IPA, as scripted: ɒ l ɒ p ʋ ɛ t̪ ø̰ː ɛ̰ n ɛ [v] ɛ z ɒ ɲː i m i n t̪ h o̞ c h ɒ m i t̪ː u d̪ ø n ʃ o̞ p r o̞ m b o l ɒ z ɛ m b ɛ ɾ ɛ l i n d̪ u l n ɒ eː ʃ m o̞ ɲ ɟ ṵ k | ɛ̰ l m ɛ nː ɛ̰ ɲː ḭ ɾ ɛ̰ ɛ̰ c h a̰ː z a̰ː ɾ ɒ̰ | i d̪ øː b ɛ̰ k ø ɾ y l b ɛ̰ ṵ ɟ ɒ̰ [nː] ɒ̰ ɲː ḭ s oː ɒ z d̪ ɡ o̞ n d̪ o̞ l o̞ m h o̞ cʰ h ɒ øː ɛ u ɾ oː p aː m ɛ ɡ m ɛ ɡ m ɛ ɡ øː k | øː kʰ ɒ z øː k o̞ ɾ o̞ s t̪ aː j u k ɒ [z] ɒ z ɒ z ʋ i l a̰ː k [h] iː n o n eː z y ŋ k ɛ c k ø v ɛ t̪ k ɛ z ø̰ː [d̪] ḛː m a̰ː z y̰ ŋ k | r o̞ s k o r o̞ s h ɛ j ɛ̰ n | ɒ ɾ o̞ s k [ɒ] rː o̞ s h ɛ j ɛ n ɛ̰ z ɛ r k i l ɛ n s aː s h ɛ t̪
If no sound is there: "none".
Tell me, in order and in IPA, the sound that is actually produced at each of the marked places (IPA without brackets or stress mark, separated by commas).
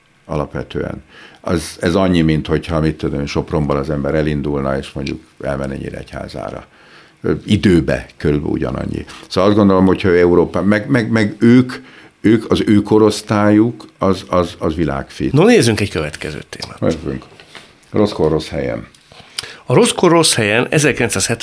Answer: z, n, z, f, t̪, o